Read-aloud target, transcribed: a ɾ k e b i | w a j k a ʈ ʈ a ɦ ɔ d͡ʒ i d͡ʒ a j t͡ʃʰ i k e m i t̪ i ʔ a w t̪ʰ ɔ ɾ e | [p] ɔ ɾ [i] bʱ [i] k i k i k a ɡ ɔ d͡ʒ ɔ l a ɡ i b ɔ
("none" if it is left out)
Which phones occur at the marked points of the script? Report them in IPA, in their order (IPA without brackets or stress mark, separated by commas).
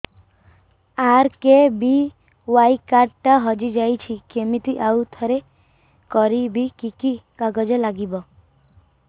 k, i, i